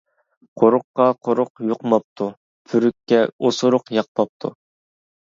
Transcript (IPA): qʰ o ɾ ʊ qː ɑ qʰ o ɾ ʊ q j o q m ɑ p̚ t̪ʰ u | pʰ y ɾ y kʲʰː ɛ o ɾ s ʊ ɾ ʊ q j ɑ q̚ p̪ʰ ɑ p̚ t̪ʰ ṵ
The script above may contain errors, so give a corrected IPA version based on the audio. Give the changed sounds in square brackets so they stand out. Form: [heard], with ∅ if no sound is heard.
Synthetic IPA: qʰ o ɾ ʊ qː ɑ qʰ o ɾ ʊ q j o q m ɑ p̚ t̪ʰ u | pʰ y ɾ y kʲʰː ɛ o [∅] s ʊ ɾ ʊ q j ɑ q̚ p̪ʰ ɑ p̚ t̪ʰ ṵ